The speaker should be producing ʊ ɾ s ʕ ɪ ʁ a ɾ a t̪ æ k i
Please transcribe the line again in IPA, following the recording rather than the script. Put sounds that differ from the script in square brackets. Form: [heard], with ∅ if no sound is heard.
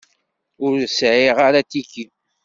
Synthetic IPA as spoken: ʊ ɾ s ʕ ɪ ʁ a ɾ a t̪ [i] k i